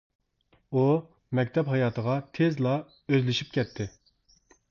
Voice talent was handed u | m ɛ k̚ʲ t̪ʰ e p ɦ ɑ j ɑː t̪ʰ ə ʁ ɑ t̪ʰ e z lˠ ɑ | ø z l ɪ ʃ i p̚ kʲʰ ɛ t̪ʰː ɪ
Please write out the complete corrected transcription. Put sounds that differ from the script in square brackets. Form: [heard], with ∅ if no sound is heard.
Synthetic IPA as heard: u | m ɛ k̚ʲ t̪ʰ [ɛ] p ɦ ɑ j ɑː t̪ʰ ə ʁ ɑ t̪ʰ e z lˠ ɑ | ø z l ɪ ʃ i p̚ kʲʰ ɛ t̪ʰː ɪ